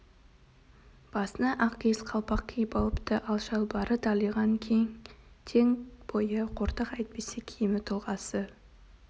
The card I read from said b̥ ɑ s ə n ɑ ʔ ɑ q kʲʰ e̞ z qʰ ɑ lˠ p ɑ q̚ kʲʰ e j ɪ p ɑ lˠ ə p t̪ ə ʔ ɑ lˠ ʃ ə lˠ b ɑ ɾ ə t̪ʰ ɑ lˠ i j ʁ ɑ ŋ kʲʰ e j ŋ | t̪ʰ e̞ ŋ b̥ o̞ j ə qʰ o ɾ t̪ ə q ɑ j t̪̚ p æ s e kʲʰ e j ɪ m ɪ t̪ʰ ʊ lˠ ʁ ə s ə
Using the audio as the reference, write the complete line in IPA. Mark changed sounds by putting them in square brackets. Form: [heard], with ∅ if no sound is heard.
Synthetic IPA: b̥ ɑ s ə n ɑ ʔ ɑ q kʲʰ e̞ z qʰ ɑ lˠ p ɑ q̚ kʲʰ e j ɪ p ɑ lˠ ə p t̪ ə ʔ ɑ lˠ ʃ [ɑ] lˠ b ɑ ɾ ə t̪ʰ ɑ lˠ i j ʁ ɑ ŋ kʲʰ e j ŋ | t̪ʰ e̞ ŋ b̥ o̞ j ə qʰ o ɾ t̪ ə q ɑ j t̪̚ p [e] s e kʲʰ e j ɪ m ɪ t̪ʰ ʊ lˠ ʁ [ɑ] s ə